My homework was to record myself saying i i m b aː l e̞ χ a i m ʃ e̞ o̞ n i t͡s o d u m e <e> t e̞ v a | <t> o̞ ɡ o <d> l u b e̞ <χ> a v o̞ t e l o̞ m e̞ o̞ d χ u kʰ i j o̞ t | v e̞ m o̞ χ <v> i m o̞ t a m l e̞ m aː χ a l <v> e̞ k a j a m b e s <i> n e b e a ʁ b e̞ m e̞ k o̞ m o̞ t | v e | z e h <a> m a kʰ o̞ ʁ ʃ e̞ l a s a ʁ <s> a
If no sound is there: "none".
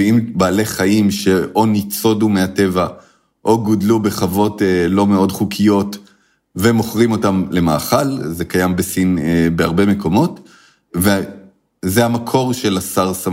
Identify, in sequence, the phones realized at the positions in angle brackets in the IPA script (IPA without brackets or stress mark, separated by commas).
a, ʔ, d, χ, ʁ, z, i, a, s